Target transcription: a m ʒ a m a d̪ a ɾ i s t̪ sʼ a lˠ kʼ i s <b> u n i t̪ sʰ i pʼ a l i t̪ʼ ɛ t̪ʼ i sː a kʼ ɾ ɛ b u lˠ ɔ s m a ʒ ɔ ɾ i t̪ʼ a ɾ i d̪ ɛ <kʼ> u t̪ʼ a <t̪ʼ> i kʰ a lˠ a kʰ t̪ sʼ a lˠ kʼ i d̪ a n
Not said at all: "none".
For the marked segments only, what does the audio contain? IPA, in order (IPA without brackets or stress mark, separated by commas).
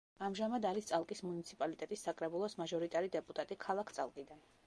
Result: m, pʼ, t̪ʼ